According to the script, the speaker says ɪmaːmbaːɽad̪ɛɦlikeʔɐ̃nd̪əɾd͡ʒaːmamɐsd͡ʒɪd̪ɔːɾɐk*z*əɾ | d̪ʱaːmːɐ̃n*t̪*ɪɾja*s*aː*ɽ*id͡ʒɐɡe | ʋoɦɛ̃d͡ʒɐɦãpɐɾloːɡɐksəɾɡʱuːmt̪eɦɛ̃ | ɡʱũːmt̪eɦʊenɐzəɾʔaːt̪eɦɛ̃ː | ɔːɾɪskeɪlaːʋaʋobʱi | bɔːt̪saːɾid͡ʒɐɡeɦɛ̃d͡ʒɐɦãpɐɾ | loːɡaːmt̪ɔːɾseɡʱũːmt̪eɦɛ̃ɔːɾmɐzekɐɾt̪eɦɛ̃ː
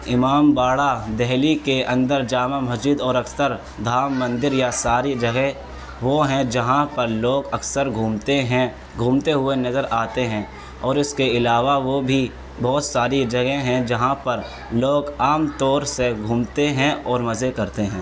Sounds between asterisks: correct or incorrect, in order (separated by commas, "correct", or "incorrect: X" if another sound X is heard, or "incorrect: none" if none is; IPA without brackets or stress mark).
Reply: incorrect: s, incorrect: d̪, correct, incorrect: ɾ